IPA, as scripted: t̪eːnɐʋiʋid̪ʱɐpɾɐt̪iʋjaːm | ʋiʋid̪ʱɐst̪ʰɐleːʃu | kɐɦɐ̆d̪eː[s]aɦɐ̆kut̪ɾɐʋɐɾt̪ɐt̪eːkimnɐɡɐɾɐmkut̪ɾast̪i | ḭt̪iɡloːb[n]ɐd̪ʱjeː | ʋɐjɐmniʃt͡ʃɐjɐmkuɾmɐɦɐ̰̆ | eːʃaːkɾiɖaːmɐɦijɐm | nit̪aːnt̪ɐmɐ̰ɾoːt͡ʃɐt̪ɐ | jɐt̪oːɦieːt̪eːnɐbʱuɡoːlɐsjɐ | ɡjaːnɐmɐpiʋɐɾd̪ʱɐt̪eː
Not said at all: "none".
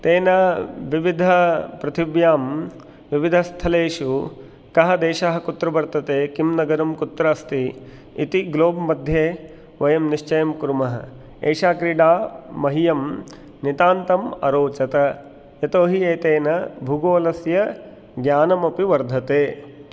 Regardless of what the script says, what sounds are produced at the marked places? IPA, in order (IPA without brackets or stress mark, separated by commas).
ʃ, m